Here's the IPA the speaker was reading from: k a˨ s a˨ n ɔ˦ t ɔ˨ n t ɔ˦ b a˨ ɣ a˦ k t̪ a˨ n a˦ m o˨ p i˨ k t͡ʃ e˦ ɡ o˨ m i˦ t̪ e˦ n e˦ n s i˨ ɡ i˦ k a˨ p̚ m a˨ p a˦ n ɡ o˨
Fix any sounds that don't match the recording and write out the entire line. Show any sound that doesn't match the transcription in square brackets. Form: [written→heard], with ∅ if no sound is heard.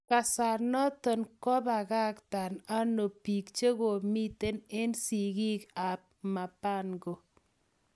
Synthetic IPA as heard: k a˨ s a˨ n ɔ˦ t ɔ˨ n [t→k] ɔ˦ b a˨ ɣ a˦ k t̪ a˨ n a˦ [m→n] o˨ p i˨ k t͡ʃ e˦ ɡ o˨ m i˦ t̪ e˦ n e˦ n s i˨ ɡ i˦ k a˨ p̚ m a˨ p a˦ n ɡ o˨